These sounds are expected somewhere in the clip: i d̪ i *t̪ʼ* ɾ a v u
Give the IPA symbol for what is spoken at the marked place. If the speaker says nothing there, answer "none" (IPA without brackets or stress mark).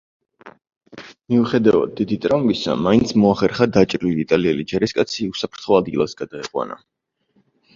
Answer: t̪ʼ